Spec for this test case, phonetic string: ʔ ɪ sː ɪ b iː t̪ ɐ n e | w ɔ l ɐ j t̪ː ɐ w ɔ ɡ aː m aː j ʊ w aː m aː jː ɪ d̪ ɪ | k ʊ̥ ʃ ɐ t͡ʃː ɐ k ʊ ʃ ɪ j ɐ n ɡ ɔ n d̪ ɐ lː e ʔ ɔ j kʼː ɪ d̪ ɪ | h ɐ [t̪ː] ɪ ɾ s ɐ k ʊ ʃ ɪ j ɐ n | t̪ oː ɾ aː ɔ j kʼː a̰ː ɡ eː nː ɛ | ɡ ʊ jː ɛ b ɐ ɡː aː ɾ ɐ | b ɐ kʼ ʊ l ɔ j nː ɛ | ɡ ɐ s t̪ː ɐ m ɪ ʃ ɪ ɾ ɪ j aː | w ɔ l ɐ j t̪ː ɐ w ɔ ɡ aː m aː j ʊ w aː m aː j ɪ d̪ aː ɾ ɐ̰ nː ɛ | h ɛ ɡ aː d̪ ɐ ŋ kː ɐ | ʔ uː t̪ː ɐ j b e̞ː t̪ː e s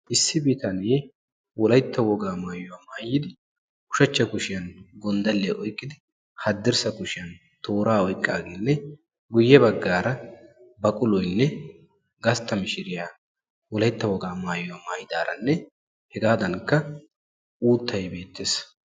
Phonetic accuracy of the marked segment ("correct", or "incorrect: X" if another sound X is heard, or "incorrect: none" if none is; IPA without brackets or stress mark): incorrect: d̪ː